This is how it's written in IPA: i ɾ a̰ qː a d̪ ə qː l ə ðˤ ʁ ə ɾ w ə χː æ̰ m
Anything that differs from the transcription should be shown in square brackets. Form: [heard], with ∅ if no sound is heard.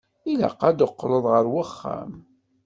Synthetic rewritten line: i [l] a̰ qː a d̪ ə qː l ə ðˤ ʁ ə ɾ w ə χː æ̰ m

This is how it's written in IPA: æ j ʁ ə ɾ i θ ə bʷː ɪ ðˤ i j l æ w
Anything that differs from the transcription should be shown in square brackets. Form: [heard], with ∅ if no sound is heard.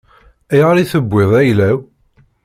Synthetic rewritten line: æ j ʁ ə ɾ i θ ə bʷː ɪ ðˤ [æ] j l æ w

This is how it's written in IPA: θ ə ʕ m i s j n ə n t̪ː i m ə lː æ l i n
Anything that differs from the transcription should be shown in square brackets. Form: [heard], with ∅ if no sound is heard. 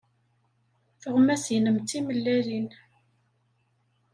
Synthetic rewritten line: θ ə [ʁ] m [æ] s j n ə [m] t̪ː i m ə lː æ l i n

